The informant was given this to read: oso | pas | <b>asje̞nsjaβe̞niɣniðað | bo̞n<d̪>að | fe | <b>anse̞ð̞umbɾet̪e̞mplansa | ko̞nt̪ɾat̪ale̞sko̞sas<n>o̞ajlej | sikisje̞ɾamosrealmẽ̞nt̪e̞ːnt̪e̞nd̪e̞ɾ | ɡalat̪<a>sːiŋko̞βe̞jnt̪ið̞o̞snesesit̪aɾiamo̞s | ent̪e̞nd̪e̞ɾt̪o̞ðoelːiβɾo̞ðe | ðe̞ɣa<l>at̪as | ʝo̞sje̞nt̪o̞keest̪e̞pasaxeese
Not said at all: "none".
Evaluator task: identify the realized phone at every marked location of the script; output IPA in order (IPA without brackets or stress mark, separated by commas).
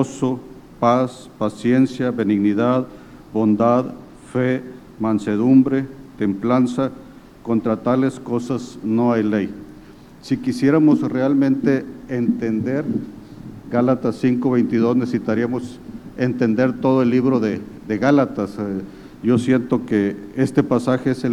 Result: p, d̪, m, n, a, l